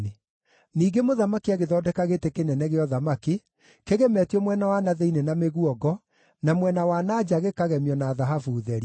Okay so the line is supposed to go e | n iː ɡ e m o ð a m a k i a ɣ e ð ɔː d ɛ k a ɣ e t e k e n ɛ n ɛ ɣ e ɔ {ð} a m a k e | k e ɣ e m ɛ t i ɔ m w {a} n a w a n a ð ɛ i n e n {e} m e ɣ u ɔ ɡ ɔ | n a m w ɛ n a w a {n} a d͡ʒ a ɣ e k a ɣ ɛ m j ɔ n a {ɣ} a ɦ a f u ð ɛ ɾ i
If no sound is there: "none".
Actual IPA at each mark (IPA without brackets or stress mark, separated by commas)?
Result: ð, ɛ, a, n, ð